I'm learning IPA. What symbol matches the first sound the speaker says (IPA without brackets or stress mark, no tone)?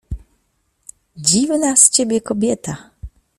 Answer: d͡ʑ